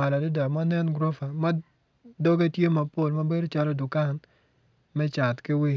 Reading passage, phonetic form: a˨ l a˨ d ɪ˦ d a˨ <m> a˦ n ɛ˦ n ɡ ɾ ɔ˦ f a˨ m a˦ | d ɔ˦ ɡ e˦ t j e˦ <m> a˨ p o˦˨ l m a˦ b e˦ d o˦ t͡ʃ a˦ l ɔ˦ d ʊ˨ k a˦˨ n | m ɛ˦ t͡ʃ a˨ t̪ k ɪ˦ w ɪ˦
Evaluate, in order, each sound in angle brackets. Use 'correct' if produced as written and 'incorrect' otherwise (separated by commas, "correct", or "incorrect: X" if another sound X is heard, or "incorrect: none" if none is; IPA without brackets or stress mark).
correct, correct